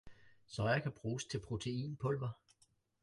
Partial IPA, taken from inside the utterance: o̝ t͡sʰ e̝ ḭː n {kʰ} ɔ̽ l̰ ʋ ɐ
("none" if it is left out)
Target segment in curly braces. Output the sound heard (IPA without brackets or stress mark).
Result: pʰ